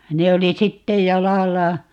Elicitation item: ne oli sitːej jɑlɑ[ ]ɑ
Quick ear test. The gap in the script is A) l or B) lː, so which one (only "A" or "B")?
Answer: B